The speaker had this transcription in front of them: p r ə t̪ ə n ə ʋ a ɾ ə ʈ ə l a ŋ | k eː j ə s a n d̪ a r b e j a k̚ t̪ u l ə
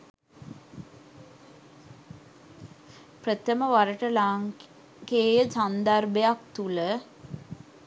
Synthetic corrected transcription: p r ə t̪ ə m ə ʋ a ɾ ə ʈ ə l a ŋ | k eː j ə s a n d̪ a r b e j a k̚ t̪ u l ə